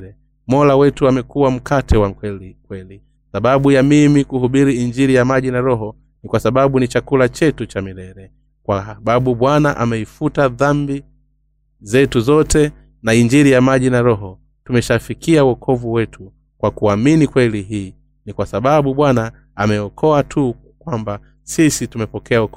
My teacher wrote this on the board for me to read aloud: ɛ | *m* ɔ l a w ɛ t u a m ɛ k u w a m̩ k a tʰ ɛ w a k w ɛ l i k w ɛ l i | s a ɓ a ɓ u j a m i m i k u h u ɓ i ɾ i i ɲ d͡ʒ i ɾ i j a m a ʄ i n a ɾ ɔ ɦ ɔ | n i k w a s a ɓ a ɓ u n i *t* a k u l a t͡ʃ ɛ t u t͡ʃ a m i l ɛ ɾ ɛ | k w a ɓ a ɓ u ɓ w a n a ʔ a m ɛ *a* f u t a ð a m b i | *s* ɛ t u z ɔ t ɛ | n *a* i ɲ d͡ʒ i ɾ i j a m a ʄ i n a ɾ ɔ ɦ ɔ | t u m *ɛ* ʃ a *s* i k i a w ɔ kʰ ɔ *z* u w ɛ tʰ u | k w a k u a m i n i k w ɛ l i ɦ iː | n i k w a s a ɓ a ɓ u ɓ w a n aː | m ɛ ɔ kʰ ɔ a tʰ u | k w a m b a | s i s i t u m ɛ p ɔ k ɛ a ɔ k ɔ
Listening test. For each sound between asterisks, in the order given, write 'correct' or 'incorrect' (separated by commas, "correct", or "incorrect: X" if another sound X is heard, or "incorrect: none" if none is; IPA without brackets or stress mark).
correct, incorrect: t͡ʃ, incorrect: i, incorrect: z, correct, correct, incorrect: f, incorrect: v